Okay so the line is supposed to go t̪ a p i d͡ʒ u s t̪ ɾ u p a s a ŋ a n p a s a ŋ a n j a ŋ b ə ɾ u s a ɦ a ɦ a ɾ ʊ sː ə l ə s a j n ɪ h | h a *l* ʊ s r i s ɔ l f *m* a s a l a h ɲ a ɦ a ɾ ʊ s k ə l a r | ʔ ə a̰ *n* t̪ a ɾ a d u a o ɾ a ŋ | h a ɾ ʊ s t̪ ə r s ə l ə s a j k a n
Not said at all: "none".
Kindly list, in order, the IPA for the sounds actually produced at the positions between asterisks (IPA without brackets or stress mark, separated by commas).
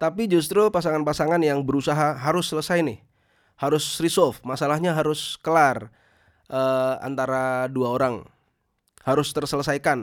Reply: ɾ, m, n